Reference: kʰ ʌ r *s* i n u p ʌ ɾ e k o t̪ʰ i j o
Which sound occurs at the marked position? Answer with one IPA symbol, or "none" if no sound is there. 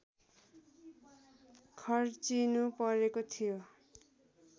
t͡s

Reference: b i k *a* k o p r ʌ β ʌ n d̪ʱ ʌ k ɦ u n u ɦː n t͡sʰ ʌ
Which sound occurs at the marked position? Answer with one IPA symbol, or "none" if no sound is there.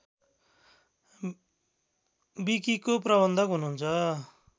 i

